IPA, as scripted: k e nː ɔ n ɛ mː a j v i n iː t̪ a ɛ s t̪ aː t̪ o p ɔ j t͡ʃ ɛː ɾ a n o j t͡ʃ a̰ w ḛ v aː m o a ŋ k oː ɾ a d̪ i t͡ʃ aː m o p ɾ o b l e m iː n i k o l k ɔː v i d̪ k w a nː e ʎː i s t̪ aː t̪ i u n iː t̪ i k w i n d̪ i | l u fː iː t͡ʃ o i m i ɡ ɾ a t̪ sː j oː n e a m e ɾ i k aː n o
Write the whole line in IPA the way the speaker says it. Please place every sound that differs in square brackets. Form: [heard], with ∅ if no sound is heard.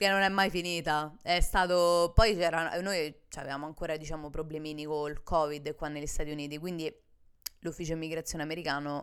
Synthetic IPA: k e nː [o] n ɛ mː a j [f] i n iː t̪ a ɛ s t̪ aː t̪ o p ɔ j t͡ʃ ɛː ɾ a n o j t͡ʃ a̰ [v] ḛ v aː m o a ŋ k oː ɾ a d̪ i t͡ʃ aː m o p ɾ o b l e m iː n i k o l k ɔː v i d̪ k w a nː e ʎː i s t̪ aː t̪ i u n iː t̪ i k w i n d̪ i | l u fː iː t͡ʃ o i m i ɡ ɾ a t̪ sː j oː n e a m e ɾ i k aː n o